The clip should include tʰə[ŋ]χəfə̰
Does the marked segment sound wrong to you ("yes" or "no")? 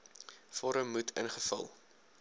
yes